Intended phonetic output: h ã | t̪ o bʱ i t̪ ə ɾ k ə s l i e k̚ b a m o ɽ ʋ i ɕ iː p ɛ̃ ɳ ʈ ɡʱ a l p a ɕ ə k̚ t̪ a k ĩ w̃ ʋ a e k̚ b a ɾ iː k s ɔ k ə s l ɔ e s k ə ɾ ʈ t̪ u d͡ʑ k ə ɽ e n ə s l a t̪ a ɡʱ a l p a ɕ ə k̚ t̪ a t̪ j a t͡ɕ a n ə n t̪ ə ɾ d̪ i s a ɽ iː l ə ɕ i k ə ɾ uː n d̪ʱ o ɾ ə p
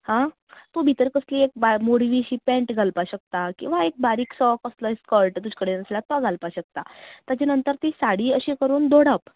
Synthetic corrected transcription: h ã | t̪ o bʱ i t̪ ə ɾ k ə s l i e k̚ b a m o ɽ ʋ i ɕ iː p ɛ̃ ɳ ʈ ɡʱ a l p a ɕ ə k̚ t̪ a k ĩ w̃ ʋ a e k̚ b a ɾ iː k s ɔ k ə s l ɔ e s k ə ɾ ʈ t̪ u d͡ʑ k ə ɽ e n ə s l a t̪ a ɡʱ a l p a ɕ ə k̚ t̪ a t̪ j a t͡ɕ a n ə n t̪ ə ɾ t̪ i s a ɽ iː ə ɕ i k ə ɾ uː n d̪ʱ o ɽ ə p